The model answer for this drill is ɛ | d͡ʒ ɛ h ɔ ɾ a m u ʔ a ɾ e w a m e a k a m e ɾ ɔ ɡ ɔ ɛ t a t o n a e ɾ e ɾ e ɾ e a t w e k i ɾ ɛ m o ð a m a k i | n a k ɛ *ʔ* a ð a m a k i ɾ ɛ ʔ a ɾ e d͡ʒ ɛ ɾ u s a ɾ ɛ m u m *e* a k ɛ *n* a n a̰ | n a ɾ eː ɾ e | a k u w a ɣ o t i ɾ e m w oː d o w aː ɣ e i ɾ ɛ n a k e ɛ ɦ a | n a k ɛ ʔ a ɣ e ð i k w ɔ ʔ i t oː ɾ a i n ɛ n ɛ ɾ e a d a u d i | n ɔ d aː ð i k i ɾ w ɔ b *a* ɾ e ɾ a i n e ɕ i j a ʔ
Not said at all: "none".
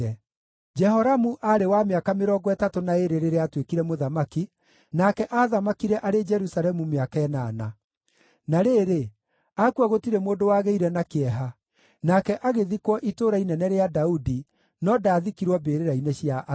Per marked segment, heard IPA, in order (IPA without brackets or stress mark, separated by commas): ʔ, e, n, e